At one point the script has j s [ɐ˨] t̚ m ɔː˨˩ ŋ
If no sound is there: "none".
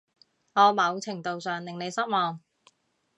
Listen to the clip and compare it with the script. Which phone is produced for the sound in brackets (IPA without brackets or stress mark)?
ɐ˥